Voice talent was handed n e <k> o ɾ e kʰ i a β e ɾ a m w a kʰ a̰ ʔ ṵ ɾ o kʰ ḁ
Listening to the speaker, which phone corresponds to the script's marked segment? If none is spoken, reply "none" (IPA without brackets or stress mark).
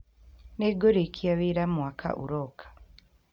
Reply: ɡ